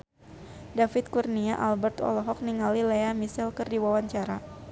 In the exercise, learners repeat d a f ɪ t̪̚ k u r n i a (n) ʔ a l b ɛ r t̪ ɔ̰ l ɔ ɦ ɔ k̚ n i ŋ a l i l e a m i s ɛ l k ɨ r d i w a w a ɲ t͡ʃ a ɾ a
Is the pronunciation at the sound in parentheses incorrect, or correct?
incorrect: none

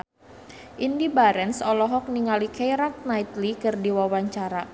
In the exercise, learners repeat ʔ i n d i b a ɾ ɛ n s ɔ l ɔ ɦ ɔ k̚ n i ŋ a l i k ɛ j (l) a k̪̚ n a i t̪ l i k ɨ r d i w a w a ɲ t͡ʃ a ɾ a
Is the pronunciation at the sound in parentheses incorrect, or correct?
incorrect: ɾ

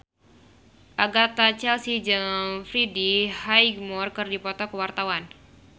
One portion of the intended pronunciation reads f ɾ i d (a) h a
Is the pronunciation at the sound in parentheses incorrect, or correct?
incorrect: i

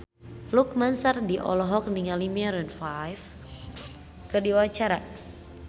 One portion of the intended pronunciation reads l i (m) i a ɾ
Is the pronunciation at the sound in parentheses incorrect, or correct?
correct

